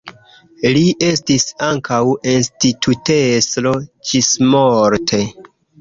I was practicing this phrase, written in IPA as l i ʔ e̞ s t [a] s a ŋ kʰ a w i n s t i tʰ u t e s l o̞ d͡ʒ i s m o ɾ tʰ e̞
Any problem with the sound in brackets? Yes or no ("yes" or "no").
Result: yes